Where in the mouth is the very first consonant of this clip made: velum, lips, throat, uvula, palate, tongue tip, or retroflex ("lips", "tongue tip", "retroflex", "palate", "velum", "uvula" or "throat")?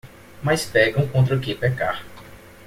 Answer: lips